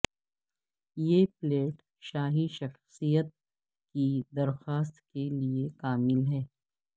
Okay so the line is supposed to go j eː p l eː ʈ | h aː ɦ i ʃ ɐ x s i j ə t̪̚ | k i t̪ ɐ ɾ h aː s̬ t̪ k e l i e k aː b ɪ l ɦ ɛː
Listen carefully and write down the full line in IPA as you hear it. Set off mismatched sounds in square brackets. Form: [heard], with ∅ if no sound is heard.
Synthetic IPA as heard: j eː p l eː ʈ | [ʃ] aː ɦ i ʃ ɐ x s i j ə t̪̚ | k i [d̪] ɐ ɾ [x] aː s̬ t̪ k e l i e k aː [m] ɪ l ɦ ɛː